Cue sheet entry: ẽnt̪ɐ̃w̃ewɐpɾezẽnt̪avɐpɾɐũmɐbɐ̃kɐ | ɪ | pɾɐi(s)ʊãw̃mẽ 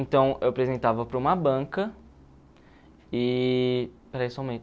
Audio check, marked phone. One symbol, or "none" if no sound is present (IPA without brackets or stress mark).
s